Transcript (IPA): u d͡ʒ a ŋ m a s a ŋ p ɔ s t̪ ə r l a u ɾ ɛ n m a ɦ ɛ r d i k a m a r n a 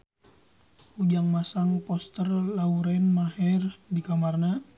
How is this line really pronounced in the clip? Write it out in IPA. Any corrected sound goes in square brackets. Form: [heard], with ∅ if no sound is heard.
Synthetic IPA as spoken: u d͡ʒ a ŋ m a s a ŋ p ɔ s t̪ ə r l a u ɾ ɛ n m a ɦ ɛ r d i k a m a r n a

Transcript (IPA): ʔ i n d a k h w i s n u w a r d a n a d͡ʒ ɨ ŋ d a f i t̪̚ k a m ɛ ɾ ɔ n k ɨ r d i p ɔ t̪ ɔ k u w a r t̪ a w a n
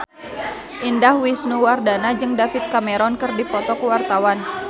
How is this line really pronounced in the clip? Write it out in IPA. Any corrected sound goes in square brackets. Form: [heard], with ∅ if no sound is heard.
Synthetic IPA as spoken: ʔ i n d a [∅] h w i s n u w a r d a n a d͡ʒ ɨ ŋ d a f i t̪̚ k a m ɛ ɾ ɔ n k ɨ r d i p ɔ t̪ ɔ k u w a r t̪ a w a n

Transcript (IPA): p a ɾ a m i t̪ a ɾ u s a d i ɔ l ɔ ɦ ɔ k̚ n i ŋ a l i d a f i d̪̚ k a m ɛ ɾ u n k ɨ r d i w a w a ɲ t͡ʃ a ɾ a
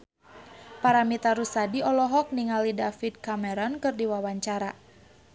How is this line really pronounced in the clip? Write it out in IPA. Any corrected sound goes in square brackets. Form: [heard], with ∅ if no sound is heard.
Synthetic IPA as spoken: p a ɾ a m i t̪ a ɾ u s a d i ɔ l ɔ ɦ ɔ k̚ n i ŋ a l i d a f i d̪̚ k a m ɛ ɾ [ɔ] n k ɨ r d i w a w a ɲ t͡ʃ a ɾ a

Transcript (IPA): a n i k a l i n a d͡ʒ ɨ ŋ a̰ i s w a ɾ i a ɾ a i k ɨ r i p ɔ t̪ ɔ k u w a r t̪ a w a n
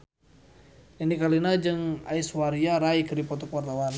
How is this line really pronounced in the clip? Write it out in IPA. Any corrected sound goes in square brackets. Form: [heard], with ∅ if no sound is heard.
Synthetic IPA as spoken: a n i k a l i n a d͡ʒ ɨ ŋ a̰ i s w a ɾ i a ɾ a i k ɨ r i p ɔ t̪ ɔ k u w a r t̪ a w a n

